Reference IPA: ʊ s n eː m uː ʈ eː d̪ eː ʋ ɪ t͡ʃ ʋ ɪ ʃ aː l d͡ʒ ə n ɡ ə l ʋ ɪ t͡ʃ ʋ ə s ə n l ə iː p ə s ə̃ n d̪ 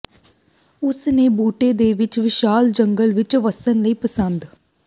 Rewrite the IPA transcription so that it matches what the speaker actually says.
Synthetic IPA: ʊ s n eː b uː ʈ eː d̪ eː ʋ ɪ t͡ʃ ʋ ɪ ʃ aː l d͡ʒ ə ŋ ɡ ə l ʋ ɪ t͡ʃ ʋ ə s ə n l ə iː p ə s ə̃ n d̪